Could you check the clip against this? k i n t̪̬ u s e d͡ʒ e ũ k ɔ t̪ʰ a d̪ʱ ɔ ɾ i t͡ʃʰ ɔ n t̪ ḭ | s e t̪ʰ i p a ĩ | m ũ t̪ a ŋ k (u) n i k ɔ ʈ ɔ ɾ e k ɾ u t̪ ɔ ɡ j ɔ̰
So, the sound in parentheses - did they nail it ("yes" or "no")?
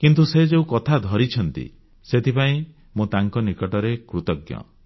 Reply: no